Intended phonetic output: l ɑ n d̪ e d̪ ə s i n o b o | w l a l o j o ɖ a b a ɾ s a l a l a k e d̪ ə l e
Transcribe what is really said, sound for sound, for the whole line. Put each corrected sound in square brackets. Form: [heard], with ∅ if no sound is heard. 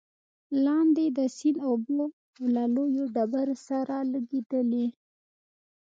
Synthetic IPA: l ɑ n d̪ e d̪ ə s i n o b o | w l a l o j o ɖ a b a ɾ s a [ɾ] a l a [ɡ] e d̪ ə l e